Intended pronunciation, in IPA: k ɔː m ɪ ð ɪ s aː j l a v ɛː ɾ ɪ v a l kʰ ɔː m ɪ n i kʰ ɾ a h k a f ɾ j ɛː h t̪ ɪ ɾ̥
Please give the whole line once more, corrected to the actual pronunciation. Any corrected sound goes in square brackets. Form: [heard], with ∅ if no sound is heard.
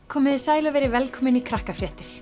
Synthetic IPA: [kʰ] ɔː m ɪ ð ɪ s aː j l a v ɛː ɾ ɪ v [ɛ] l kʰ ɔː m ɪ n i kʰ ɾ a h k a f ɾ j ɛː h t̪ ɪ ɾ̥